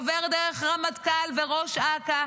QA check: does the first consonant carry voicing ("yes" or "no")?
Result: yes